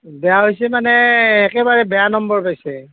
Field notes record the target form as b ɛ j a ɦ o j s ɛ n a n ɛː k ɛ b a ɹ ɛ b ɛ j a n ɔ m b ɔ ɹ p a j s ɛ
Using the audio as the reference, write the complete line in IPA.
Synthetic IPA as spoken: b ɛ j a ɦ o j s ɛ m a n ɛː k ɛ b a ɹ ɛ b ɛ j a n ɔ m b ɔ ɹ p a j s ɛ

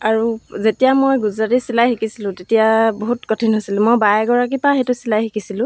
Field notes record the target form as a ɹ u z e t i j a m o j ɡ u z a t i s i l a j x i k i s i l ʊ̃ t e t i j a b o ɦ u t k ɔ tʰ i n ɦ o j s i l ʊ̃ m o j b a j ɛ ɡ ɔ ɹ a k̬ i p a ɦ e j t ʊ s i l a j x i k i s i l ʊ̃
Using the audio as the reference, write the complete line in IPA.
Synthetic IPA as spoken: a ɹ u z e t i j a m o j ɡ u z a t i s i l a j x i k i s i l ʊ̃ t e t i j a b o ɦ u t k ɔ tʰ i n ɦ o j s i l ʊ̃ m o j b a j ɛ ɡ ɔ ɹ a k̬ i p a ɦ e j t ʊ s i l a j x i k i s i l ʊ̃

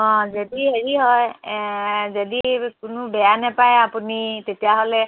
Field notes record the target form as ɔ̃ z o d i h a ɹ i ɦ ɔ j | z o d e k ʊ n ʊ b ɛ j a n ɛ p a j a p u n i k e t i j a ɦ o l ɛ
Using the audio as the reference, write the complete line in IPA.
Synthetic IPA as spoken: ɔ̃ z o d i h e ɹ i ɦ ɔ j | z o d i k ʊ n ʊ b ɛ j a n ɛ p a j a p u n i t e t i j a ɦ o l ɛ

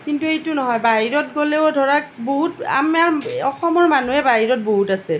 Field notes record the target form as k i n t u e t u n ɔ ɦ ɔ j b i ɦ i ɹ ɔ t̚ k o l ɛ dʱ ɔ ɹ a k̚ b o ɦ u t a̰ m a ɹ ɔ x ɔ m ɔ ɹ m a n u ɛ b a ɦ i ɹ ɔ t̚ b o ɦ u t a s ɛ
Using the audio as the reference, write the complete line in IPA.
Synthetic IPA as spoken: k i n t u e t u n ɔ ɦ ɔ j b a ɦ i ɹ ɔ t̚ ɡ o l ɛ dʱ ɔ ɹ a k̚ b o ɦ u t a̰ m a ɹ ɔ x ɔ m ɔ ɹ m a n u ɛ b a ɦ i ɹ ɔ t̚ b o ɦ u t a s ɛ

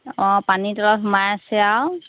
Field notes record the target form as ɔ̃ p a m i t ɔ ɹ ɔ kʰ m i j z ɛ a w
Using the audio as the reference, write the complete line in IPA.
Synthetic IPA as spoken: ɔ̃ p a n i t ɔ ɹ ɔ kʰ m a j s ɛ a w

